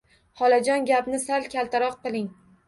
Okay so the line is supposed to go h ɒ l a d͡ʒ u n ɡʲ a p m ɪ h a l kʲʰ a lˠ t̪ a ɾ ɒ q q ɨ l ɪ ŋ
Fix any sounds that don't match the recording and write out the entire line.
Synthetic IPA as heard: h ɒ l a d͡ʒ ɒ n ɡʲ a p n ɪ s a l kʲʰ a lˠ t̪ a ɾ ɒ q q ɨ l ɪ ŋ